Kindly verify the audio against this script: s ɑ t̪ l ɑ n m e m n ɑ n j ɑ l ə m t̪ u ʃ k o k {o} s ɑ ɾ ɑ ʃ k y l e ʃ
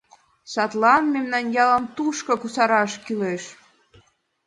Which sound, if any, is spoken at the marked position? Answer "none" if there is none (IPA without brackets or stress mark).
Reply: u